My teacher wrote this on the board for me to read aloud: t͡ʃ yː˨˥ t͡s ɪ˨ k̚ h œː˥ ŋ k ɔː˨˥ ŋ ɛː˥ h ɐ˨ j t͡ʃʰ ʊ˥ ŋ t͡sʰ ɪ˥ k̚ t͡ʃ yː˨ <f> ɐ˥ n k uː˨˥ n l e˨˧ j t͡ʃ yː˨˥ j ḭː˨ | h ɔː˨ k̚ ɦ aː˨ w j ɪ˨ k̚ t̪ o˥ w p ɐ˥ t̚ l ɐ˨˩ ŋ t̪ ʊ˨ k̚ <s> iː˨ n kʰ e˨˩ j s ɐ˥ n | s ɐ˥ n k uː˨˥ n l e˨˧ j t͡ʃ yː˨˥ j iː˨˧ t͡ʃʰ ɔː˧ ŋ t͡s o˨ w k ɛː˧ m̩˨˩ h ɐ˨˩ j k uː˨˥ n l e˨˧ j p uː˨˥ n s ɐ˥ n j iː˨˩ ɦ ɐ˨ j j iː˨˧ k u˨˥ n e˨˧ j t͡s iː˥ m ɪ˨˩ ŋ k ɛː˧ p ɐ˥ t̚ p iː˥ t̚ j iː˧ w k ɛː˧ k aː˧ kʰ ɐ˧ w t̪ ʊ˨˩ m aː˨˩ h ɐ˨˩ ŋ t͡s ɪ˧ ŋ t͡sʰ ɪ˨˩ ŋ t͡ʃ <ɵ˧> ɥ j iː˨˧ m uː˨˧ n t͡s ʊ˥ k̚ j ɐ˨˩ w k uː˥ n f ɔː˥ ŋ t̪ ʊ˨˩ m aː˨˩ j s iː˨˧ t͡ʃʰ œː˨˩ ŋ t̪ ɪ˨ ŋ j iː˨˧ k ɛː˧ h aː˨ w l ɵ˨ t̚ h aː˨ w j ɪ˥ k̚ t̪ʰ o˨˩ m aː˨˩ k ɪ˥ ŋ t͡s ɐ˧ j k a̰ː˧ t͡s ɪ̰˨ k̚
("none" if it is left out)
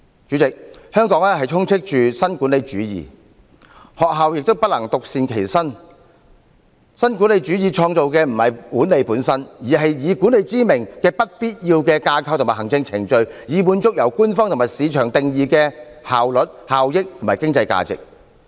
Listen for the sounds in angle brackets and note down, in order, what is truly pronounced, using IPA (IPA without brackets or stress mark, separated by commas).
s, s, ɵ˧